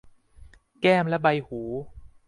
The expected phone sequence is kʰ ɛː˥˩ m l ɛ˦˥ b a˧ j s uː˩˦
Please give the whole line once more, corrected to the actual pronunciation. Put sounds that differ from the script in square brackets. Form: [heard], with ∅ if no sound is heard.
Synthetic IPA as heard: [k] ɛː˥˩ m l ɛ˦˥ b a˧ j [h] uː˩˦